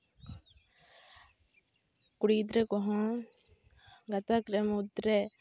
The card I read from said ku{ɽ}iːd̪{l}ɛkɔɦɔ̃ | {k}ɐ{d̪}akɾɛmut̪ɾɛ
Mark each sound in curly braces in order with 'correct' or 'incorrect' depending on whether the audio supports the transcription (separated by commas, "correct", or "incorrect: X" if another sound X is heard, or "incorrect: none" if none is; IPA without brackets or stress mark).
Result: correct, incorrect: ɾ, incorrect: ɡ, incorrect: t̪